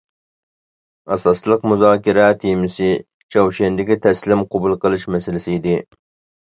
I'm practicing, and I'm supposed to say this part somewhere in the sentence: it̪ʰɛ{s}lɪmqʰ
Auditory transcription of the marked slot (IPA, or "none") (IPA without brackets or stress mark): s